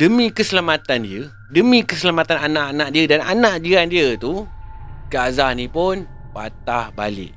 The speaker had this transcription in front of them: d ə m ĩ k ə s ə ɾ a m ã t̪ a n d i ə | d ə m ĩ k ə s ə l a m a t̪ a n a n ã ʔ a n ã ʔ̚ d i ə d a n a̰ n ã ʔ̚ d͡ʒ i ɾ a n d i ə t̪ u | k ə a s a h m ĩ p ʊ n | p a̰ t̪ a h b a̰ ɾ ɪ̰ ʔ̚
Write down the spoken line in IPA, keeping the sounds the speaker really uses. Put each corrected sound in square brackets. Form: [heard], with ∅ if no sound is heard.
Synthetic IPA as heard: d ə m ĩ k ə s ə [l] a m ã t̪ a n d i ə | d ə m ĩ k ə s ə l a m a t̪ a n a n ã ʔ a n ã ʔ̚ d i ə d a n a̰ n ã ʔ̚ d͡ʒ i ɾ a n d i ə t̪ u | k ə a [z] a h [n] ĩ p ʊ n | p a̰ t̪ a h b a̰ [l] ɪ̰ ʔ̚